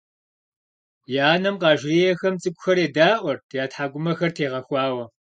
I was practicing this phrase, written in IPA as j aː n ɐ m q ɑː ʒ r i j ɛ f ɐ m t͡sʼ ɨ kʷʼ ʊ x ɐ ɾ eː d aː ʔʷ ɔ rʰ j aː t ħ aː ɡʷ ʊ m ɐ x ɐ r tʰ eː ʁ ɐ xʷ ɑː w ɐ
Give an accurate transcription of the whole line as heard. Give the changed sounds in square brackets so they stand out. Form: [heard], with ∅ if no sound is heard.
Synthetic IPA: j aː n ɐ m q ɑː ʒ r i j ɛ [x] ɐ m t͡sʼ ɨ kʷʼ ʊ x ɐ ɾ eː d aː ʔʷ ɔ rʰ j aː t ħ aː ɡʷ ʊ m ɐ x ɐ r tʰ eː ʁ ɐ xʷ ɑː w ɐ